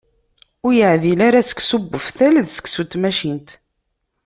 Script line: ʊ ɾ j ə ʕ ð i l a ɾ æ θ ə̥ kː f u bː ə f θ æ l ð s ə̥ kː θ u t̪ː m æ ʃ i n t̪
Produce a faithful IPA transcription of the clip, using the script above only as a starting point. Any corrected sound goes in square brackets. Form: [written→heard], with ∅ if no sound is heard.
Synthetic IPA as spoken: ʊ ɾ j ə ʕ ð i l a ɾ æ [θ→s] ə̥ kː [f→s] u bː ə f θ æ l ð s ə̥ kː [θ→s] u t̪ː m æ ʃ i n t̪